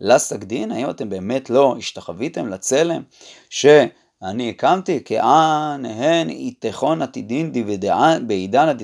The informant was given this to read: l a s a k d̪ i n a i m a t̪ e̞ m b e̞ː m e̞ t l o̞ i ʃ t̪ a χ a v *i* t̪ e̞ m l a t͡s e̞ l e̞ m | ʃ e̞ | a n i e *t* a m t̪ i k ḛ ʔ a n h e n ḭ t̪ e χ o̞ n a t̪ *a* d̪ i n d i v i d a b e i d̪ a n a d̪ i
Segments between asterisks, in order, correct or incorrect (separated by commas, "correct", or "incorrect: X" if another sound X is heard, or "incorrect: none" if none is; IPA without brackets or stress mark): correct, incorrect: k, incorrect: i